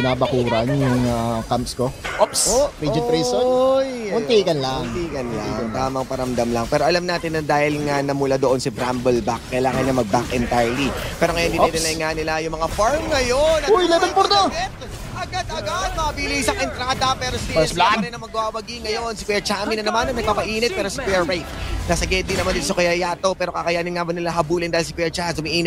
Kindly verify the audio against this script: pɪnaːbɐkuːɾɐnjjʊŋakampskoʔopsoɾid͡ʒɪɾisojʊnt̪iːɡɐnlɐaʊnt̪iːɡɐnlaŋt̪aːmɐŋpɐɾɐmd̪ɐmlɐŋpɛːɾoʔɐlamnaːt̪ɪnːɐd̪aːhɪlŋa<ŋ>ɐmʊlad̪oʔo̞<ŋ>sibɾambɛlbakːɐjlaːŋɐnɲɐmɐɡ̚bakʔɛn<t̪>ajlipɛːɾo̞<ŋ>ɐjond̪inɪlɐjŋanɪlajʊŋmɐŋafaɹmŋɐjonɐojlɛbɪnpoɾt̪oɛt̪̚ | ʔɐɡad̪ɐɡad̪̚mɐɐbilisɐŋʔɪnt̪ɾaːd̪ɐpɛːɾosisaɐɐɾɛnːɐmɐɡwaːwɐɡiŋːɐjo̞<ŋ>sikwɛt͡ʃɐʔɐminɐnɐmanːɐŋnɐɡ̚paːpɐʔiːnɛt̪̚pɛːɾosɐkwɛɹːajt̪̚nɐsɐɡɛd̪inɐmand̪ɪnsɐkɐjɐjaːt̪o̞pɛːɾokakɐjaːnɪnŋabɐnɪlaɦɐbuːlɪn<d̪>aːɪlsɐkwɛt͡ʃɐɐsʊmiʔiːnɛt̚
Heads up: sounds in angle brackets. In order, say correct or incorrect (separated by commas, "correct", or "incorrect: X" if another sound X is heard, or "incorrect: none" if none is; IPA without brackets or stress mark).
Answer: incorrect: n, incorrect: n, correct, correct, incorrect: n, correct